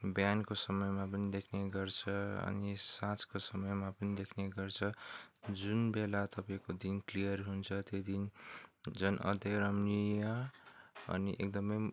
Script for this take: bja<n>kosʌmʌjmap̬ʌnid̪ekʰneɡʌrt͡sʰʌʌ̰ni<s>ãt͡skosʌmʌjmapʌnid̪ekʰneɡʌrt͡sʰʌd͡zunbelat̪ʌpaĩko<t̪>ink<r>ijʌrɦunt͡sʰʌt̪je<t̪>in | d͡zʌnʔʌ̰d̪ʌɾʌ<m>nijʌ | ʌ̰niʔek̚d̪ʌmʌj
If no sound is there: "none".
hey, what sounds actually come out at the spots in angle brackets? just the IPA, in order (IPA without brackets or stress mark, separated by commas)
n, s, d̪, l, d̪, m